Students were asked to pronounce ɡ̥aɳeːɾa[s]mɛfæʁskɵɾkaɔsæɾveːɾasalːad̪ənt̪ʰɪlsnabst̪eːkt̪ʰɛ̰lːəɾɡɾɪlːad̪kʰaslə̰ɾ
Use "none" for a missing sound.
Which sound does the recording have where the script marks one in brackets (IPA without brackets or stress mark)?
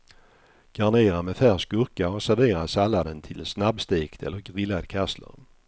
none